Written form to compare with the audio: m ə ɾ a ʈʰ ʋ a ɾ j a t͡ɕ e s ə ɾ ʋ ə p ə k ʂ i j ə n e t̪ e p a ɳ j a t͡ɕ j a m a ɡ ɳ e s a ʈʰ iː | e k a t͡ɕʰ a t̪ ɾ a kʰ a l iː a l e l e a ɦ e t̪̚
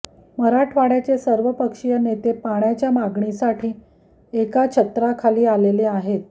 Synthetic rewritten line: m ə ɾ a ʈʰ ʋ a ɽ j a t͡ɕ e s ə ɾ ʋ ə p ə k ʂ i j ə n e t̪ e p a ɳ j a t͡ɕ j a m a ɡ ɳ i s a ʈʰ iː | e k a t͡ɕʰ ə t̪ ɾ a kʰ a l iː a l e l e a ɦ e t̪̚